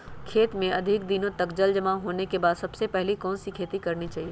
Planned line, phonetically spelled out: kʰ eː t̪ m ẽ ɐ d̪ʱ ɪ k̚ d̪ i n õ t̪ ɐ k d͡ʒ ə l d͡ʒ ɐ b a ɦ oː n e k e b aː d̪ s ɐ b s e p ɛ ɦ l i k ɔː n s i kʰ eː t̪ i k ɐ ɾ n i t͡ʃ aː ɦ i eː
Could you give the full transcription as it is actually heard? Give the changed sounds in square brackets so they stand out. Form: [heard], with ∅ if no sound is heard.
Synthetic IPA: kʰ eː t̪ m ẽ ɐ d̪ʱ ɪ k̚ d̪ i n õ t̪ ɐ k d͡ʒ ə l d͡ʒ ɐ [m] a ɦ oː n e k e b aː d̪ s ɐ b s e p ɛ ɦ l i k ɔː n s i kʰ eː t̪ i k ɐ ɾ n i t͡ʃ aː ɦ i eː